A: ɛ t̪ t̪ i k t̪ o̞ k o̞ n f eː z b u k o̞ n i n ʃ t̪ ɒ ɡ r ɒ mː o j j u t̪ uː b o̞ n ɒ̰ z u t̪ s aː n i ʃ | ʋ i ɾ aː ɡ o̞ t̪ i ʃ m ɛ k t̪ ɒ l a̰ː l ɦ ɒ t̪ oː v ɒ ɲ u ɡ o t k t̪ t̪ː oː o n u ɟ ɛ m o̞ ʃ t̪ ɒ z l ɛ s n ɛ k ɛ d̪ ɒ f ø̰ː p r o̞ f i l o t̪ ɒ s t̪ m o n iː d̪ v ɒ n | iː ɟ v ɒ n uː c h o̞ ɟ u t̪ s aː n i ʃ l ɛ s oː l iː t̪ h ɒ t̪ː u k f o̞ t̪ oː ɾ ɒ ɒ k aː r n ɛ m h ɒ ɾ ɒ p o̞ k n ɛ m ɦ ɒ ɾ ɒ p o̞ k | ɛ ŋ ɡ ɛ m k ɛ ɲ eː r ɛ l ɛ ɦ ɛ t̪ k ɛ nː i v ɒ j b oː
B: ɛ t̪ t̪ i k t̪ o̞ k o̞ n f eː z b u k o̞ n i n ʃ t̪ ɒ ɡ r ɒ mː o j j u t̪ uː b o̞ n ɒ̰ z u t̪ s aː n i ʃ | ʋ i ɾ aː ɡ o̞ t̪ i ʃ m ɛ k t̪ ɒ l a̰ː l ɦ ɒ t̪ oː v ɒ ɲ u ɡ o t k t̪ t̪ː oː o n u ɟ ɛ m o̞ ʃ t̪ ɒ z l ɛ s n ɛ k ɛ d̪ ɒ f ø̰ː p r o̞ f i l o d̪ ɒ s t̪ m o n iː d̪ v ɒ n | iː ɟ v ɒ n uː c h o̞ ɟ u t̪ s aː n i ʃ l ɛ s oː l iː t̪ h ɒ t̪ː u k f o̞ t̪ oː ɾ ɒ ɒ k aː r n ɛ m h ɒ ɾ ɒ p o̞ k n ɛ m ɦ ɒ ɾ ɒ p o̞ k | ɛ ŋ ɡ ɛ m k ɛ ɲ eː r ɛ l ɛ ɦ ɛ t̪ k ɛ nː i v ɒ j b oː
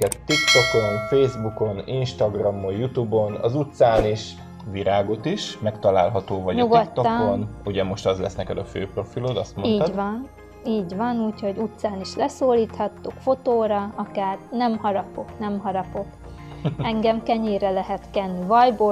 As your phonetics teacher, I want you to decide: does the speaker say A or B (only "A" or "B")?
B